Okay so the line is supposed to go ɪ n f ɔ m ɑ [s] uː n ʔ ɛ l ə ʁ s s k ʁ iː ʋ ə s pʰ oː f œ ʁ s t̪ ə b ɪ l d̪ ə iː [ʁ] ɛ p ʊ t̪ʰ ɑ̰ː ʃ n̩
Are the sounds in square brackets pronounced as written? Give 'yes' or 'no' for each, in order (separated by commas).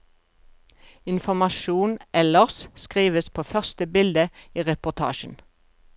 no, yes